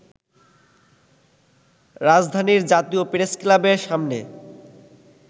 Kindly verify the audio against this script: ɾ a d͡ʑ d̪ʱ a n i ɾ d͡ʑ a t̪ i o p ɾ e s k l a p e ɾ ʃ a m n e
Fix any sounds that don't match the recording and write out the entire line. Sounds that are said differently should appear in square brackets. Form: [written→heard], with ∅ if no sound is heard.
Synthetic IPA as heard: ɾ a d͡ʑ d̪ʱ a n i ɾ d͡ʑ a t̪ i o p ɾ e s k l a [p→b] e ɾ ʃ a m n e

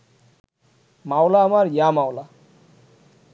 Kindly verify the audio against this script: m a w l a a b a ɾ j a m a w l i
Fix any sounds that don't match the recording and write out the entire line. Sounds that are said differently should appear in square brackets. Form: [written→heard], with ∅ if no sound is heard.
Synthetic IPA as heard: m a w l a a [b→m] a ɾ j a m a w l [i→a]

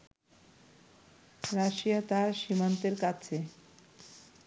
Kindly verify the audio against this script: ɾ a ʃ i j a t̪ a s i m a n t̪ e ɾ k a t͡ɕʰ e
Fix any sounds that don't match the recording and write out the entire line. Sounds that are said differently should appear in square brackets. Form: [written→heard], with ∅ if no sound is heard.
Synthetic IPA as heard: ɾ a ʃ i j a t̪ a [s→ʃ] i m a n t̪ e ɾ k a t͡ɕʰ e

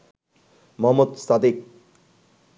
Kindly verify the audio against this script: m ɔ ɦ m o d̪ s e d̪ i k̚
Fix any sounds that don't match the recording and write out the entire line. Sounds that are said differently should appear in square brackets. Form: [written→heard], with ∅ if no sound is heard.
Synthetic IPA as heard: m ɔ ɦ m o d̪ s [e→a] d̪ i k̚

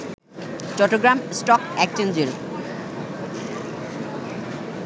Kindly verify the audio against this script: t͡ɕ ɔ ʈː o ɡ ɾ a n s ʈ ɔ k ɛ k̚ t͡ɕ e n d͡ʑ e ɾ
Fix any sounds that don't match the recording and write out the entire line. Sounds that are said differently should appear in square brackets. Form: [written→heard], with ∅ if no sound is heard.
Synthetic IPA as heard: t͡ɕ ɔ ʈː o ɡ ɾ a [n→m] s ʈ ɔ k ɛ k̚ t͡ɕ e n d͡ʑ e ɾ

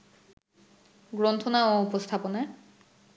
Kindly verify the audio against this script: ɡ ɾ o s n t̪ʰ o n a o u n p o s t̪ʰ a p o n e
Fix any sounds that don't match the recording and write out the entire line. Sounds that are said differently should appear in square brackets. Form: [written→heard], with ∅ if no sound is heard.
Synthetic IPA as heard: ɡ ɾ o [s→∅] n t̪ʰ o n a o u [n→∅] p o s t̪ʰ a p o n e

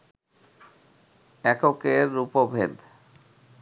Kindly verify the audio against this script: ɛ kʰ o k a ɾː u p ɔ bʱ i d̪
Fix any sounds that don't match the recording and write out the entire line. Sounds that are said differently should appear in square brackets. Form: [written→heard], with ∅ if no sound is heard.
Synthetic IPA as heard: ɛ [kʰ→k] o k [a→e] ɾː u p [ɔ→o] bʱ [i→e] d̪

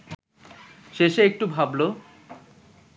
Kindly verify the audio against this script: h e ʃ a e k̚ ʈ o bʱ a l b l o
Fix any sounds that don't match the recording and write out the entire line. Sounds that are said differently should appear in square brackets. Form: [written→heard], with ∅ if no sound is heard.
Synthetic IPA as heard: [h→ʃ] e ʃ [a→e] e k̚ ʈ [o→u] bʱ a [l→∅] b l o

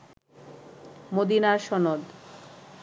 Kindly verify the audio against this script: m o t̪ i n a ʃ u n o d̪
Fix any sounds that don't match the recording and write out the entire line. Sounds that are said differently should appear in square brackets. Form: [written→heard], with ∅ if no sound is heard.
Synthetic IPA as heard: m o [t̪→d̪] i n a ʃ [u→ɔ] n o d̪

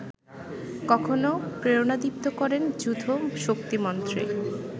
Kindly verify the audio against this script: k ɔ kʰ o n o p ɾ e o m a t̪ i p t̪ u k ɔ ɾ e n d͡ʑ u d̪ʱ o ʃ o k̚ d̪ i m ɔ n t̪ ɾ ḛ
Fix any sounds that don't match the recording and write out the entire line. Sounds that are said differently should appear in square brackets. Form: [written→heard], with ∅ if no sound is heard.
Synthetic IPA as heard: k ɔ kʰ o n o p ɾ e o [m→n] a [t̪→d̪] i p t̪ [u→o] k ɔ ɾ e n d͡ʑ u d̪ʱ o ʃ o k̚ [d̪→t̪] i m ɔ n t̪ ɾ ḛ

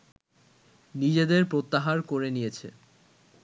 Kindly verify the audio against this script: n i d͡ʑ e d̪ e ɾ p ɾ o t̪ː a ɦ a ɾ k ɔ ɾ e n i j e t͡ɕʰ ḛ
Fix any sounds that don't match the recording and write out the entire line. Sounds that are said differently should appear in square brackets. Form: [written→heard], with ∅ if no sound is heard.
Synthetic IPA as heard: n i d͡ʑ e d̪ e ɾ p ɾ o t̪ː a ɦ a ɾ k [ɔ→o] ɾ e n i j e t͡ɕʰ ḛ

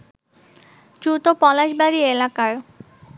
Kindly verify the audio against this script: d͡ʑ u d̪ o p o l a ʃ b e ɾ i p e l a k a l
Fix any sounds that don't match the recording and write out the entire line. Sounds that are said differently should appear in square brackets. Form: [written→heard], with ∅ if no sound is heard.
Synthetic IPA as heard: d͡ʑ u [d̪→t̪] o p [o→ɔ] l a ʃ b [e→a] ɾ i [p→∅] e l a k a [l→ɾ]

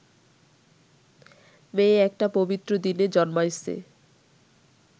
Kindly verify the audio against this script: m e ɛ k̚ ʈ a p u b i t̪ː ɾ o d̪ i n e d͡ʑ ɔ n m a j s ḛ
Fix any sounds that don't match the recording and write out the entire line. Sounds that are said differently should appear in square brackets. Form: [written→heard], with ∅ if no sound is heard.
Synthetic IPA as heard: m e ɛ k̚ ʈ a p [u→o] b i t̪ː ɾ o d̪ i n e d͡ʑ ɔ n m a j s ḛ

